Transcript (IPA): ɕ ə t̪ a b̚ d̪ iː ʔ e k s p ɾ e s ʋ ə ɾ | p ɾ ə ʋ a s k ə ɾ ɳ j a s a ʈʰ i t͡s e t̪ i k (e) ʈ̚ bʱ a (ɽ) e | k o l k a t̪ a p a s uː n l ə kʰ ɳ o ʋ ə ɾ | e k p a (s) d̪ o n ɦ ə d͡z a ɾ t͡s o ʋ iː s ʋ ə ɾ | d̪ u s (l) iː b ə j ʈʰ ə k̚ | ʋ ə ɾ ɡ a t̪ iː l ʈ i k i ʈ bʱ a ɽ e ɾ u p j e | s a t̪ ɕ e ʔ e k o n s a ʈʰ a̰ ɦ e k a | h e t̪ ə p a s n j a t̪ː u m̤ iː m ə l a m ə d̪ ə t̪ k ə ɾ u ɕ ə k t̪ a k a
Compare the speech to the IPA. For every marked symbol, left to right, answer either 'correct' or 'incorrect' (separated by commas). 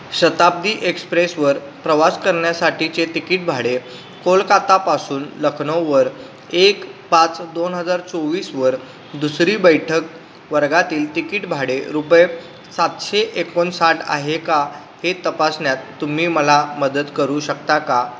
incorrect, correct, incorrect, incorrect